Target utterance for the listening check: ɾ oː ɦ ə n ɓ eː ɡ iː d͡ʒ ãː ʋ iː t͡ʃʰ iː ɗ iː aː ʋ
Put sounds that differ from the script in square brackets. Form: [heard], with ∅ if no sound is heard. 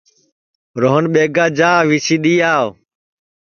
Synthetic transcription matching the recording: ɾ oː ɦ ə n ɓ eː ɡ [aː] d͡ʒ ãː ʋ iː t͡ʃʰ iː ɗ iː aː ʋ